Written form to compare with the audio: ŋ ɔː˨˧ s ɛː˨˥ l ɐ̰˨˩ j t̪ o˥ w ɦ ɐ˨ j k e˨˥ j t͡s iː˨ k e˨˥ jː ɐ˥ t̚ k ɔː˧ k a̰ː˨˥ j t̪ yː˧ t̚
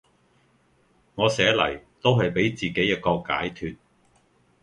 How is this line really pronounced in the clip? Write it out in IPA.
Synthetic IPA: ŋ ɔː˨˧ s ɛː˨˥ l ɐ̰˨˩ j t̪ o˥ w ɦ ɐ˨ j p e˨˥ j t͡s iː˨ k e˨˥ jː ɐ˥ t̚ k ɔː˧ k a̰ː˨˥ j t̪ʰ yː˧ t̚